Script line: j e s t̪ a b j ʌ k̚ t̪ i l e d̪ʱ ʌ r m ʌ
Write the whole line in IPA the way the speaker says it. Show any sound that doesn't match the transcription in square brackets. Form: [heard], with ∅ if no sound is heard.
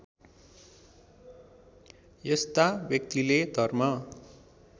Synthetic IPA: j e s t̪ a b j ʌ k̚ t̪ i l e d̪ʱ ʌ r m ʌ

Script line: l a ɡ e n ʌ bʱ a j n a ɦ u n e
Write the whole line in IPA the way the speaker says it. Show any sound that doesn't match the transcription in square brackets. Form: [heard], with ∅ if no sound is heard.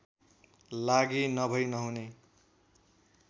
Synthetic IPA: l a ɡ [i] n ʌ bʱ [ʌ] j n [ʌ] ɦ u n e

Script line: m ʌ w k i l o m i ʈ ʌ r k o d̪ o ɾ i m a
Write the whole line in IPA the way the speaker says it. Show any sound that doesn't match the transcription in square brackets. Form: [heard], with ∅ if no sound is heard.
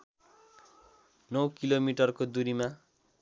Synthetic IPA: [n] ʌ w k i l o m i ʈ ʌ r k o d̪ [u] ɾ i m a

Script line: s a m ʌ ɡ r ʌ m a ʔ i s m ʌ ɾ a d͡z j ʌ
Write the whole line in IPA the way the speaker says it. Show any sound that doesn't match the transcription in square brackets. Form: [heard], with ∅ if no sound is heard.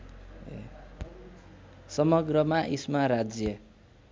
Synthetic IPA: s [ʌ] m ʌ ɡ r ʌ m a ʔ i s m [a] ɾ a d͡z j ʌ

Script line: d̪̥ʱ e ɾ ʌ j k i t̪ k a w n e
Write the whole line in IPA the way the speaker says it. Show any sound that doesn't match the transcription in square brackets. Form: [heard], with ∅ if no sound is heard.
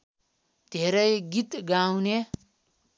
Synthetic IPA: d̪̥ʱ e ɾ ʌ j [ɡ] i t̪ [ɡ] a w n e

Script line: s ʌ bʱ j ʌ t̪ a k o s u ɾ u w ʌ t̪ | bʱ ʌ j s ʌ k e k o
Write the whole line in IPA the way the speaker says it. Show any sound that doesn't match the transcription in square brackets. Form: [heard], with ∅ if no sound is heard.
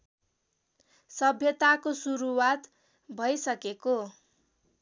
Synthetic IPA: s ʌ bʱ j ʌ t̪ a k o s u ɾ u w [a] t̪ | bʱ ʌ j s ʌ k e k o

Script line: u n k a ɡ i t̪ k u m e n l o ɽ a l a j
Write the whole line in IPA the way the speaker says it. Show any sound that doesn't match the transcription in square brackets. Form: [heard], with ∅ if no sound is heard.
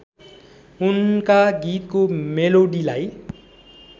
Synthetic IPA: u n k a ɡ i t̪ k [o] m e [∅] l o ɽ [i] l a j

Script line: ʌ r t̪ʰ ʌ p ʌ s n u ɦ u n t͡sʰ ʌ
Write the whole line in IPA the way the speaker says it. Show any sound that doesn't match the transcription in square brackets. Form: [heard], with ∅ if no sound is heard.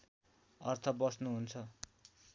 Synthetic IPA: ʌ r t̪ʰ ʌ [b] ʌ s n u ɦ u n t͡sʰ ʌ

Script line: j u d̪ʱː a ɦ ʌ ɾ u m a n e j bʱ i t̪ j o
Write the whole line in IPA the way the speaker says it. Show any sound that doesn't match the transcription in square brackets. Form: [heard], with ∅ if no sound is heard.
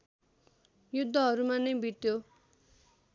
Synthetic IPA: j u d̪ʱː [ʌ] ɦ ʌ ɾ u m a n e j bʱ i t̪ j o

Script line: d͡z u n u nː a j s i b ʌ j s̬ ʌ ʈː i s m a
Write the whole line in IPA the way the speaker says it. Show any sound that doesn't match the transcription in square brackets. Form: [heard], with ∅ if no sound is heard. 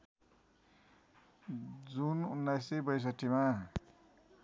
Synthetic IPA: d͡z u n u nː a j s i b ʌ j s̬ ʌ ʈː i [∅] m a

